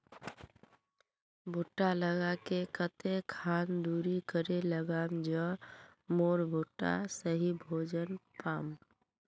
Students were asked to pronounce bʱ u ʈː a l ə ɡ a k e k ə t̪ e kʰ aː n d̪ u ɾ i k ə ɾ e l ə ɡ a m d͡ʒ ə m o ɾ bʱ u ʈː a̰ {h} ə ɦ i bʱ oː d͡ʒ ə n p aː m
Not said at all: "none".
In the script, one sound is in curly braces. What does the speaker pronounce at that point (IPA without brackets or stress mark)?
s